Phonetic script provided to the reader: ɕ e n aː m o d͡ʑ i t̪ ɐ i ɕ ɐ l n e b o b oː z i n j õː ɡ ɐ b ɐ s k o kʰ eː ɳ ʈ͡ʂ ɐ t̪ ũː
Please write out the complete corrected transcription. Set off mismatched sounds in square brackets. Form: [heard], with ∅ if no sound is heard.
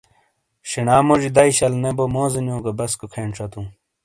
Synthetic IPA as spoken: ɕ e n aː m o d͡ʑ i [d̪] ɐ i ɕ ɐ l n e b o [m] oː z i n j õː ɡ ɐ b ɐ s k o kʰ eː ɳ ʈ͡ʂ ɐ t̪ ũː